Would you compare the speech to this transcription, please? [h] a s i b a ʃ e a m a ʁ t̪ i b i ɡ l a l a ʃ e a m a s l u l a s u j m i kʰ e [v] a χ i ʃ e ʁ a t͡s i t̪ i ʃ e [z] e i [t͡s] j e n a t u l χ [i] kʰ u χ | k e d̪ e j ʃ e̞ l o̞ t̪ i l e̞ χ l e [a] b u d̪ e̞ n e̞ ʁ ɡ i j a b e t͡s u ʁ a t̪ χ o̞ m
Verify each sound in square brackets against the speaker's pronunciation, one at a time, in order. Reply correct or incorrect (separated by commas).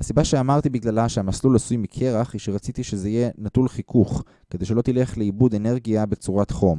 correct, incorrect, correct, incorrect, correct, incorrect